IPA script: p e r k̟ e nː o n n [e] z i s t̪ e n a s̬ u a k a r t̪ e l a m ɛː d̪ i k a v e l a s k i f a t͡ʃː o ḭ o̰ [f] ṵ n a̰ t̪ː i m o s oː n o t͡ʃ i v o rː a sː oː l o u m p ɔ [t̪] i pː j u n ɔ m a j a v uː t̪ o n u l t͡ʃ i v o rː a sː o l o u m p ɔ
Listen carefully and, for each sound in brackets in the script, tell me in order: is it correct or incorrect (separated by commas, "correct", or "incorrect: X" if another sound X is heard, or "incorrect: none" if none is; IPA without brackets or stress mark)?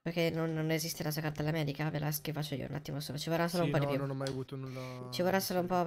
correct, incorrect: none, incorrect: d̪